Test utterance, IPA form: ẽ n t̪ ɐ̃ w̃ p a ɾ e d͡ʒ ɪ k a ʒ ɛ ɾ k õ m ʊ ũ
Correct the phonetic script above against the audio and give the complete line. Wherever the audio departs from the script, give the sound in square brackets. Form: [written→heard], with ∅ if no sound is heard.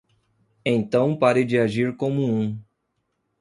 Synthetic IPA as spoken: ẽ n t̪ ɐ̃ w̃ p a ɾ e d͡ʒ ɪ [k→∅] a ʒ [ɛ→i] ɾ k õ m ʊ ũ